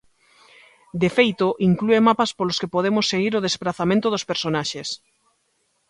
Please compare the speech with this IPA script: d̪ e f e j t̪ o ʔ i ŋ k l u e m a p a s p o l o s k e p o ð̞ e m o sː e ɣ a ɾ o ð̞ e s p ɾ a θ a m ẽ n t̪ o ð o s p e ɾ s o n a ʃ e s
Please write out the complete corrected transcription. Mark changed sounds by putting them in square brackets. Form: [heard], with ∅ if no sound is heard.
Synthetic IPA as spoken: d̪ e f e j t̪ o ʔ i ŋ k l u e m a p a s p o l o s k e p o ð̞ e m o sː e ɣ [i] ɾ o ð̞ e s p ɾ a θ a m ẽ n t̪ o ð o s p e ɾ s o n a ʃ e s